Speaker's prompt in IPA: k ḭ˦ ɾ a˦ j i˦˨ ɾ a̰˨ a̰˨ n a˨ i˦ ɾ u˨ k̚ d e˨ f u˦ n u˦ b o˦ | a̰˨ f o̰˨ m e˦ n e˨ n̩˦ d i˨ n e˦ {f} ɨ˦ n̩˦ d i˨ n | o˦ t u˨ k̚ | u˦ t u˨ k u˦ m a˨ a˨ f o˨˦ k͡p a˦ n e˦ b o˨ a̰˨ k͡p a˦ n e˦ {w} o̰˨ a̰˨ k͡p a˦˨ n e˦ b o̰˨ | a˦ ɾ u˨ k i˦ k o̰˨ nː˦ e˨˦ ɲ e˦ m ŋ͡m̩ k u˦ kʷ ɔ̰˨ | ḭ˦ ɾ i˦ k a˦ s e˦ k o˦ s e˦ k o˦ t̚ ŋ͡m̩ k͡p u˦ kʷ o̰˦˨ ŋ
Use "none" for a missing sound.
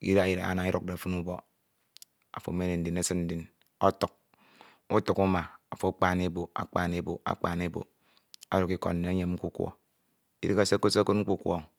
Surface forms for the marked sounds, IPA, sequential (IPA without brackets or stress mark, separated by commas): s, b